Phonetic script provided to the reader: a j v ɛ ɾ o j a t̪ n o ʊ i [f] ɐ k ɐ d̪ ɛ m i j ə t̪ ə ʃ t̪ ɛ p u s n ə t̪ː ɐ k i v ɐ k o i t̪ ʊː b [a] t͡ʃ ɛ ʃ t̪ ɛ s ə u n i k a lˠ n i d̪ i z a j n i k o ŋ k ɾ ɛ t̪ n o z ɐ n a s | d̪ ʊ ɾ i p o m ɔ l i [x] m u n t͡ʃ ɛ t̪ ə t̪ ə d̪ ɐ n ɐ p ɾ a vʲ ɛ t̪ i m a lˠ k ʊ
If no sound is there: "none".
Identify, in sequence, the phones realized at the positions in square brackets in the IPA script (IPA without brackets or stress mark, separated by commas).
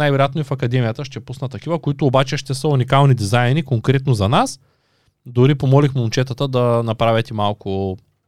f, a, x